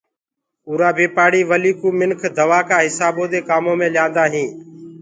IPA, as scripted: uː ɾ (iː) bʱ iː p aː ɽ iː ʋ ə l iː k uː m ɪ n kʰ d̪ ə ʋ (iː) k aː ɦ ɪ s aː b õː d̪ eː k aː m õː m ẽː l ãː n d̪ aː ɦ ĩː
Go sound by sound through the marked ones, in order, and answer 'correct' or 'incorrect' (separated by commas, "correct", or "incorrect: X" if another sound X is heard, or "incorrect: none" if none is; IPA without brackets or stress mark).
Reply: incorrect: aː, incorrect: aː